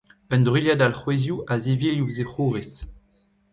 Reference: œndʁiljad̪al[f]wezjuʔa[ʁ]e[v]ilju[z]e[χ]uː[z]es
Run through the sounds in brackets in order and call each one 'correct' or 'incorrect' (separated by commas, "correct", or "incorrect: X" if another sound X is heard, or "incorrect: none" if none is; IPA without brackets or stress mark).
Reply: incorrect: χ, incorrect: z, correct, correct, correct, incorrect: ʁ